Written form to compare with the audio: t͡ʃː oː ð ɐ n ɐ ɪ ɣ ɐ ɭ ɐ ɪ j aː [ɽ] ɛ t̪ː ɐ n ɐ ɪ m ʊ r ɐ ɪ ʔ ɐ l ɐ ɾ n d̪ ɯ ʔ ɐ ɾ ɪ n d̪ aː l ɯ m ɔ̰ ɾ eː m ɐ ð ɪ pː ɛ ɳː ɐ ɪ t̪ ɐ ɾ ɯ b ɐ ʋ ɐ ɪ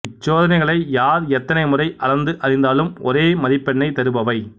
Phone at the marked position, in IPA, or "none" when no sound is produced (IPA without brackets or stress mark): ɾ